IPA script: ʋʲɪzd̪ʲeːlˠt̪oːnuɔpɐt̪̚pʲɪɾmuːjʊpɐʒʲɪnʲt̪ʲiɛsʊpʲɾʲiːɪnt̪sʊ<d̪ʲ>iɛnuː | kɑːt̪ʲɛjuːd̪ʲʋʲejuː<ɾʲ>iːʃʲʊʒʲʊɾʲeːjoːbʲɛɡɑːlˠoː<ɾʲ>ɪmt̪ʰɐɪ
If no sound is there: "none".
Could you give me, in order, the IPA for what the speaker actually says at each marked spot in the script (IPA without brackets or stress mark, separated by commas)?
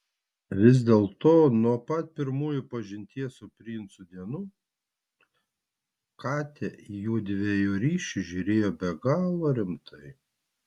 d̪ʲ, ɾʲ, ɾʲ